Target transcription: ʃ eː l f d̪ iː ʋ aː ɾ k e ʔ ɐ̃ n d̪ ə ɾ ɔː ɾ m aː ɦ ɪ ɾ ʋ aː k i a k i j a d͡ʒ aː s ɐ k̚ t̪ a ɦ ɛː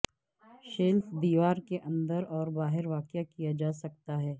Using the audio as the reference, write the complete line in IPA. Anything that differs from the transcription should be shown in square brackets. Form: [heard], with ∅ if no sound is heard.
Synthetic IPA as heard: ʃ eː l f d̪ iː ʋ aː ɾ k e ʔ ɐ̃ n d̪ ə ɾ ɔː ɾ [b] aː ɦ ɪ ɾ ʋ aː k [j] a k i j a d͡ʒ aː s ɐ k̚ t̪ a ɦ ɛː